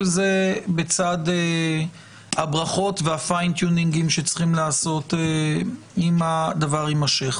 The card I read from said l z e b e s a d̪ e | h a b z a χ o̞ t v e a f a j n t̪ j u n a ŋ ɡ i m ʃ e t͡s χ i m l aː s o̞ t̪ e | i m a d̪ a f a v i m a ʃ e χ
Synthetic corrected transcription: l z e b e t͡s a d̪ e | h a b ʁ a χ o̞ t v e a f a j n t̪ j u n i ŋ ɡ i m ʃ e t͡s χ i m l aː s o̞ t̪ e | i m a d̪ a v a ʁ i m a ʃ e χ